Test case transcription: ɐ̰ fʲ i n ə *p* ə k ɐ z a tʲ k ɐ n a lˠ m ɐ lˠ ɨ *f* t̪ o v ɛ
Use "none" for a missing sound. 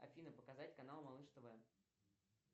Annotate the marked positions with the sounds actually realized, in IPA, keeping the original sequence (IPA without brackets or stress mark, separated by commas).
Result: p, ʂ